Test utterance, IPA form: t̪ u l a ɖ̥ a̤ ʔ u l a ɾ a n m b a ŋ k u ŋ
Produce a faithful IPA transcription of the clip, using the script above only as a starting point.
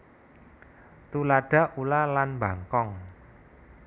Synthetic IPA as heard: t̪ u l a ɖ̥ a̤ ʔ u l a l a n m b a ŋ k ɔ ŋ